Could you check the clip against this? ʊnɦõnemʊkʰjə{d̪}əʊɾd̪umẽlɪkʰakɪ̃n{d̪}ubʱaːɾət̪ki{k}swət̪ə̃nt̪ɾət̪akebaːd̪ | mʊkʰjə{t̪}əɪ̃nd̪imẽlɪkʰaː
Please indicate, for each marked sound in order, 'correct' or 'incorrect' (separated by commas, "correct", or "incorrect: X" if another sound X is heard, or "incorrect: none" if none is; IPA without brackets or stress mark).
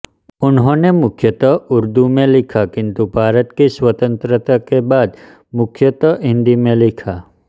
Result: incorrect: t̪, incorrect: t̪, incorrect: none, correct